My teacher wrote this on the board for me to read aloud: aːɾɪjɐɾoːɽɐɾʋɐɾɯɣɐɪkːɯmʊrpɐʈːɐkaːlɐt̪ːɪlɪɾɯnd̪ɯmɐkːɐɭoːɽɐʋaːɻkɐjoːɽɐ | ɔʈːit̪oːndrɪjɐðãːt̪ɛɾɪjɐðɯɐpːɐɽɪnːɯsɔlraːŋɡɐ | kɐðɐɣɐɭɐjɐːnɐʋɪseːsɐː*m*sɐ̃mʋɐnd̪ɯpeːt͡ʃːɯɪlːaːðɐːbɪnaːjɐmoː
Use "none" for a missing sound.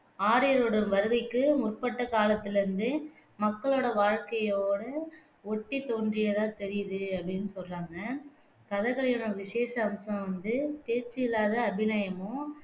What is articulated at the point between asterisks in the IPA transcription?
m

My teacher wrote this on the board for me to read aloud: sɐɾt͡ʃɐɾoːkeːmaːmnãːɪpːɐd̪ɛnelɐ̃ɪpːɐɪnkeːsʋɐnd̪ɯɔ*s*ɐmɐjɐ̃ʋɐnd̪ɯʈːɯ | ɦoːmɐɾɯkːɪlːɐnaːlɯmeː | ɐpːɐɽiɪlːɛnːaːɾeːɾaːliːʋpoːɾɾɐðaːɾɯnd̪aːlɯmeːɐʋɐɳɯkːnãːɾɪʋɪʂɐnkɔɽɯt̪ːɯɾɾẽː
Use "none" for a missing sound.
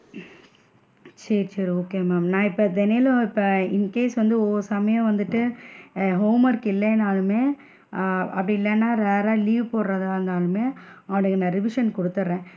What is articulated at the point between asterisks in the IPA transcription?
s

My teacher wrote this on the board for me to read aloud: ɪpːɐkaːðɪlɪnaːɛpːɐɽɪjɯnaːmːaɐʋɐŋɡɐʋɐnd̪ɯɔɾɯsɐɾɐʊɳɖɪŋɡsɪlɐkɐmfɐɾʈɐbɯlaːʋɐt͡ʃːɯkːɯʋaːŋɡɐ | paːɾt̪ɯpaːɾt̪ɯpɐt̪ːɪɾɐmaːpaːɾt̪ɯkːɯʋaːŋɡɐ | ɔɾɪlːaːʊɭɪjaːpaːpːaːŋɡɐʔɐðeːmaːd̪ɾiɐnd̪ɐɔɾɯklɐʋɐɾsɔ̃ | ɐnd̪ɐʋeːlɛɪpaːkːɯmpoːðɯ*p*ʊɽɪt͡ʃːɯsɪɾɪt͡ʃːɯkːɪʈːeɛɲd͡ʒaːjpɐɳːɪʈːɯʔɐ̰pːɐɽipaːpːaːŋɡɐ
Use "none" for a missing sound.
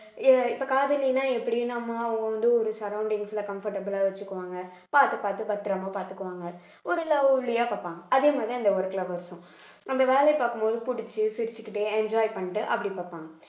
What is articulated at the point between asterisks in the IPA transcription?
p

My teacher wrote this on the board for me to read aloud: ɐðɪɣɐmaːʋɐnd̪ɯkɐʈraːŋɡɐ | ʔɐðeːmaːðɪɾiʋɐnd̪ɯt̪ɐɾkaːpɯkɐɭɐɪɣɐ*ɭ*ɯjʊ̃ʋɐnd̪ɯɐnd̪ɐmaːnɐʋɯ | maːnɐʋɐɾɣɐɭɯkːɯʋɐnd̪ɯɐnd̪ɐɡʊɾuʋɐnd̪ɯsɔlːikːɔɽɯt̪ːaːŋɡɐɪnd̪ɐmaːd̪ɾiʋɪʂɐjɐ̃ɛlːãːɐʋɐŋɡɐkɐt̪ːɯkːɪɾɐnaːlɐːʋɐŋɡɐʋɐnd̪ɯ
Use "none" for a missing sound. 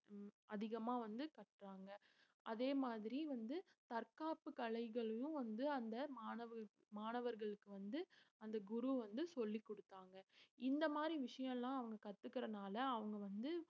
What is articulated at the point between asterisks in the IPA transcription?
ɭ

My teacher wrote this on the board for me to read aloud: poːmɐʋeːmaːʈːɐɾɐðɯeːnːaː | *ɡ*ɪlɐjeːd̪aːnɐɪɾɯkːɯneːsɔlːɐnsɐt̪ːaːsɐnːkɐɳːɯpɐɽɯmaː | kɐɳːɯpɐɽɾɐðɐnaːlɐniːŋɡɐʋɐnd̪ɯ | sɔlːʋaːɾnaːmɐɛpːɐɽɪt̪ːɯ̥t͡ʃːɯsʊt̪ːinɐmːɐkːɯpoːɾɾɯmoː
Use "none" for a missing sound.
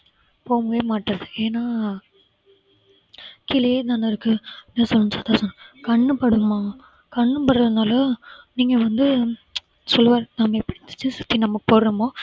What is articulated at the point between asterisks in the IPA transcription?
k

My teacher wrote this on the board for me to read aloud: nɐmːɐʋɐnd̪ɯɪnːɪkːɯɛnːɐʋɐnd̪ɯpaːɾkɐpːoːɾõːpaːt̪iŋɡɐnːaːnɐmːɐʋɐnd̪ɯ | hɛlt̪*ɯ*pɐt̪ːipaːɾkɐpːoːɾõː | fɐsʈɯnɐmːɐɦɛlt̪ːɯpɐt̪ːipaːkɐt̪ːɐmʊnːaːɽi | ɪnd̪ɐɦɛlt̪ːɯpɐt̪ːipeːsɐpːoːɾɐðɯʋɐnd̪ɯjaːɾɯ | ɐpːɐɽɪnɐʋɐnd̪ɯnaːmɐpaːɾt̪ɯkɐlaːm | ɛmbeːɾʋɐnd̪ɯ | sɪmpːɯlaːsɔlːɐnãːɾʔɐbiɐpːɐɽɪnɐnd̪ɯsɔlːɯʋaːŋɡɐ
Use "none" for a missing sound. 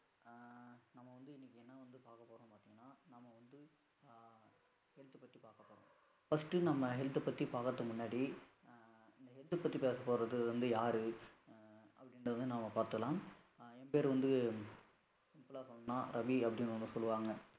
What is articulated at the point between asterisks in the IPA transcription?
ɯ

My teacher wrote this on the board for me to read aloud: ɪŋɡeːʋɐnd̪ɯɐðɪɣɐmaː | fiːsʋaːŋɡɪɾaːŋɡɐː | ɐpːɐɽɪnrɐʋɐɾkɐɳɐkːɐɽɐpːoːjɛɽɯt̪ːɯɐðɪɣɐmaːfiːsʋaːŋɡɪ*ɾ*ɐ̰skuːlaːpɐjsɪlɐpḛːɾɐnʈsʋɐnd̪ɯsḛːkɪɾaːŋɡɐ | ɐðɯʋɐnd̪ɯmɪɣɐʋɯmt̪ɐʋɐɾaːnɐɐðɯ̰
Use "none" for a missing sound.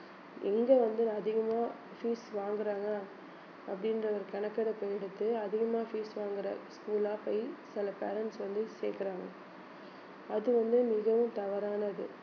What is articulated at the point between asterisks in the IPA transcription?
ɾ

